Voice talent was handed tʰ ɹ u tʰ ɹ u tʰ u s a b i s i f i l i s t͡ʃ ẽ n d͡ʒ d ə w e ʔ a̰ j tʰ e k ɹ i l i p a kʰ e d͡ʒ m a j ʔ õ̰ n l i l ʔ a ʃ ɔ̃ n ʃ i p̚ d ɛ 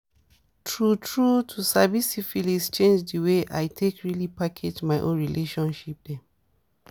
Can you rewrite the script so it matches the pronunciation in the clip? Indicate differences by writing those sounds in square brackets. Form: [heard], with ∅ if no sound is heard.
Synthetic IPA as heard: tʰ ɹ u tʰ ɹ u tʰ u s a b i s i f i l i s t͡ʃ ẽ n d͡ʒ d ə w e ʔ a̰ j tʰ e k ɹ i l i p a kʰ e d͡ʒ m a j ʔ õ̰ n [ɹ] i l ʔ [e] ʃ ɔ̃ n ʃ i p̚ d ɛ